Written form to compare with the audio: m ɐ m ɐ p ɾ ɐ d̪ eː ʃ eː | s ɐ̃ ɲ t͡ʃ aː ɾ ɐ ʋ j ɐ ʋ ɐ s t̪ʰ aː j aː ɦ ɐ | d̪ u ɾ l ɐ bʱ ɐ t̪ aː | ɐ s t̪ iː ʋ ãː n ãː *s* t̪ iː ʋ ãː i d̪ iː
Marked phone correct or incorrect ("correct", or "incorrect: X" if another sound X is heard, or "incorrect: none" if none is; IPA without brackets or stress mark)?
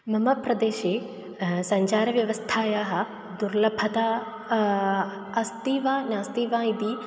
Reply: correct